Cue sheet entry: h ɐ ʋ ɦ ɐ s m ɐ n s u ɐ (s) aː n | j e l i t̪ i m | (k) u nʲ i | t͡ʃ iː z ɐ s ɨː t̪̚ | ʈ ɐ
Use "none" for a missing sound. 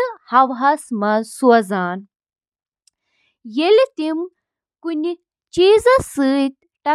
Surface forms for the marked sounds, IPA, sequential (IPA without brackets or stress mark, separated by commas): z, k